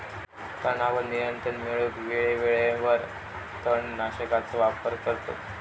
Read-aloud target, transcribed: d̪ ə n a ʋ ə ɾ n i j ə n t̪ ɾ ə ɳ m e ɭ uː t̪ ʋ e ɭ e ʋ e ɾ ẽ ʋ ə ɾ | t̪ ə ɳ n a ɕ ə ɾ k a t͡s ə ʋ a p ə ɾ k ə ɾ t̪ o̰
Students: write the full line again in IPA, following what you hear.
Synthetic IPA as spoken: t̪ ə n a ʋ ə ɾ n i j ə n t̪ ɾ ə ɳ m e ɭ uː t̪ ʋ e ɭ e ʋ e ɭ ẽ ʋ ə ɾ | t̪ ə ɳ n a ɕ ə k a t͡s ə ʋ a p ə ɾ k ə ɾ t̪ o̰